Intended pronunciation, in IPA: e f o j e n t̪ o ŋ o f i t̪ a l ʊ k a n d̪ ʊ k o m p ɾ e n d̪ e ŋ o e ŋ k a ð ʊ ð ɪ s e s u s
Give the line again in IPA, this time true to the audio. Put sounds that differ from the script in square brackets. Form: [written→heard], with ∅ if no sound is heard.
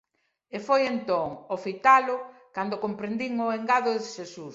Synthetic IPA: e f o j e n t̪ o ŋ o f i t̪ a l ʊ k a n d̪ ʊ k o m p ɾ e n d̪ [e→i] ŋ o e ŋ [k→ɡ] a ð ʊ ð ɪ [s→ʃ] e s u s